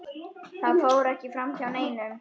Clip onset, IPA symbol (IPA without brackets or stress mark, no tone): θ